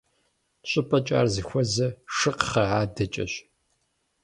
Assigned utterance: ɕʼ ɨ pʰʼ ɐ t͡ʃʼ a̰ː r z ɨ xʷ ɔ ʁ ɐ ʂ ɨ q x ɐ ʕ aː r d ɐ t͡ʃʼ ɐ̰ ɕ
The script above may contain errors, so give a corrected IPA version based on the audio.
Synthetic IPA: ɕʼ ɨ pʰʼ ɐ t͡ʃʼ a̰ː r z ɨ xʷ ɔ z ɐ ʂ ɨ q χ ɐ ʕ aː d ɐ t͡ʃʼ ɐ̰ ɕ

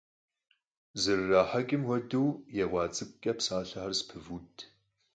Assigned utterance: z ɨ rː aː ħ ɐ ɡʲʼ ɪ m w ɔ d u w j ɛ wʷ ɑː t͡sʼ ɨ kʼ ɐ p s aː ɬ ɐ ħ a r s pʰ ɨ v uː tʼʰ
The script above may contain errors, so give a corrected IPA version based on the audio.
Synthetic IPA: z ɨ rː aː ħ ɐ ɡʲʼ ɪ m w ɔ d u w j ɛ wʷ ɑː t͡sʼ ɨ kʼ ɐ p s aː ɬ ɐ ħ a r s pʰ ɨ v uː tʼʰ

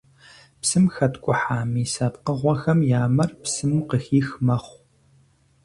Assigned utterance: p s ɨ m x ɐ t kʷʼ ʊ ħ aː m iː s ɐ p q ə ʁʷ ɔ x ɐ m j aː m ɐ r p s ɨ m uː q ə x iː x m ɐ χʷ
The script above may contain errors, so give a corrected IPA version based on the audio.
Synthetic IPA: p s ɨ m x ɐ t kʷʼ ʊ ħ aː m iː s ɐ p q ə ʁʷ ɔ x ɐ m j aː m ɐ r p s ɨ m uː q ə x iː x m ɐ χʷ

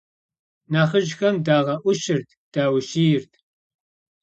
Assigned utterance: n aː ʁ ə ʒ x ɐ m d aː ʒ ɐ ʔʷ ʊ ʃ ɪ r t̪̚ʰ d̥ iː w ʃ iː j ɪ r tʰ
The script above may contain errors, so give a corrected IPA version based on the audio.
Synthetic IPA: n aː χ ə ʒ x ɐ m d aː ʁ ɐ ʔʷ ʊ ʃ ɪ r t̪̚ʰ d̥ aː w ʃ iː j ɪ r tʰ

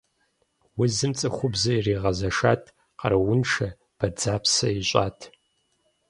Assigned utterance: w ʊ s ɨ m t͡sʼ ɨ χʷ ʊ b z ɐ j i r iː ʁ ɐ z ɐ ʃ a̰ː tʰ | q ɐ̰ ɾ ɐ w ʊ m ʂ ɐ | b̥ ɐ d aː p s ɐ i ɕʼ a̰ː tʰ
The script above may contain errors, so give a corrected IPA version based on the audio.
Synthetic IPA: w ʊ z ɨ m t͡sʼ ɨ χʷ ʊ b z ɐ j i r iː ʁ ɐ z ɐ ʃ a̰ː tʰ | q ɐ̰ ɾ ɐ w ʊ n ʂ ɐ | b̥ ɐ d͡z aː p s ɐ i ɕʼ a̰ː tʰ

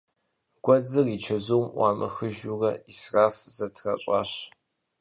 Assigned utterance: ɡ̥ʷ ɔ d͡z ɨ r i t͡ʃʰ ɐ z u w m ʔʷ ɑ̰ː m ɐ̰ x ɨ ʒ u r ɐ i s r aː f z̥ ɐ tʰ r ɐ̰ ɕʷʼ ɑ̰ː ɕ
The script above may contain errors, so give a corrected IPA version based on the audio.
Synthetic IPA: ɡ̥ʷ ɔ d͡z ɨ r i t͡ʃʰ ɐ z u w m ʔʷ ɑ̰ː m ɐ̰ x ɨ ʒ u r ɐ i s r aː f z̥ ɐ tʰ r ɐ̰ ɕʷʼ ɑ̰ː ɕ

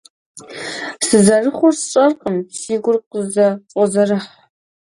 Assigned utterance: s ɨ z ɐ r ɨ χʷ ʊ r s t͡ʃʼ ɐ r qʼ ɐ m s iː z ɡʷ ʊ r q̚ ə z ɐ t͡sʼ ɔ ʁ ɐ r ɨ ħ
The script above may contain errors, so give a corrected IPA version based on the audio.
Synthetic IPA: s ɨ z ɐ r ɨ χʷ ʊ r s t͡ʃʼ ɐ r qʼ ə m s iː ɡʷ ʊ r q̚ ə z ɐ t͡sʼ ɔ z ɐ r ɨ ħ

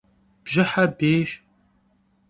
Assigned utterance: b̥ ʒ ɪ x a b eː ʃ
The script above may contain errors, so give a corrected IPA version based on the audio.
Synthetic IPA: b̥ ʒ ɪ ħ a b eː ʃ

